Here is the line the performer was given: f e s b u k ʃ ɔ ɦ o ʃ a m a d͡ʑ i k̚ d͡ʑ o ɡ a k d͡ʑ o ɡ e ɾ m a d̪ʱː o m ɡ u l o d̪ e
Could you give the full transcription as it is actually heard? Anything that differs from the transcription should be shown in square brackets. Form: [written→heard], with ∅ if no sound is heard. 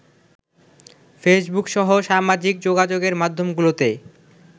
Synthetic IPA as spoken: f e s b u k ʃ ɔ ɦ o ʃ a m a d͡ʑ i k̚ d͡ʑ o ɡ a [k→∅] d͡ʑ o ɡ e ɾ m a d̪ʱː o m ɡ u l o [d̪→t̪] e